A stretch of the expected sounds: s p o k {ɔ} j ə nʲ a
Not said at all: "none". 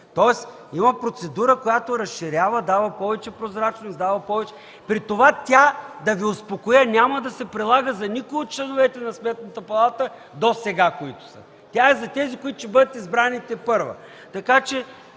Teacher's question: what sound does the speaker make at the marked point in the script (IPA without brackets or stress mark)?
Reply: o